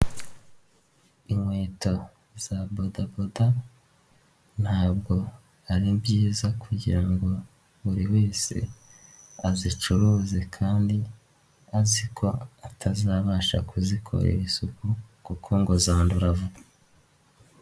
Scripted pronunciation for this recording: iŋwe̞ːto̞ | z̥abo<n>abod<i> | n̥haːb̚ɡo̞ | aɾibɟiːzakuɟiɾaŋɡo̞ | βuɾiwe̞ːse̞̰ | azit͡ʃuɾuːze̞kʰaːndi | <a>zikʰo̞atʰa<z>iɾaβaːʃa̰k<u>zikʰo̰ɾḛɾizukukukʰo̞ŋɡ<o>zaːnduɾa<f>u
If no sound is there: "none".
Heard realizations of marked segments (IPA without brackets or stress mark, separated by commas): d, a, a, z, u, o, v